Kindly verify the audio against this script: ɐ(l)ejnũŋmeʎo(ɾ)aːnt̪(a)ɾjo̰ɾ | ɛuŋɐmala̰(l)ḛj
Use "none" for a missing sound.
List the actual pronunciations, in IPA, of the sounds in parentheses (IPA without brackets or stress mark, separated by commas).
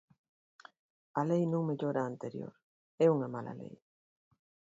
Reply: l, ɾ, e, l